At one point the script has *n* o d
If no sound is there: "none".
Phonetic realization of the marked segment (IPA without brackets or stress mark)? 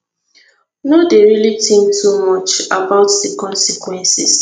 n